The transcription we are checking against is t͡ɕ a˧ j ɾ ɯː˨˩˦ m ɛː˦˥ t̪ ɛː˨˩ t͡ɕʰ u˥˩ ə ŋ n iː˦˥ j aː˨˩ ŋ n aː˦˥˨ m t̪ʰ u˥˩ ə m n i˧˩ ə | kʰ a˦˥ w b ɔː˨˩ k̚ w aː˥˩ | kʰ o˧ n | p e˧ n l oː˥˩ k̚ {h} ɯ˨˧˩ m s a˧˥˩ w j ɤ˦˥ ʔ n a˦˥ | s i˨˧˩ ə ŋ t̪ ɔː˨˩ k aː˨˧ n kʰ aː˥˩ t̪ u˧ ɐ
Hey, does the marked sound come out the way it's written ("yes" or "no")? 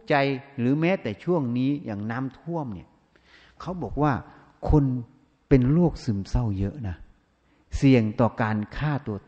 no